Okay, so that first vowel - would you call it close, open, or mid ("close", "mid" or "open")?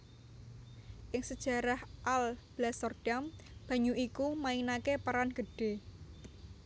close